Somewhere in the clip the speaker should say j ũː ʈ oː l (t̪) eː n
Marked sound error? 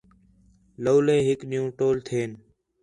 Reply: yes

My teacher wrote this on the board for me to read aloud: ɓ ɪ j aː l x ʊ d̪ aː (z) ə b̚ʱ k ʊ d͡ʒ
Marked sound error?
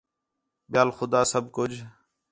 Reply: yes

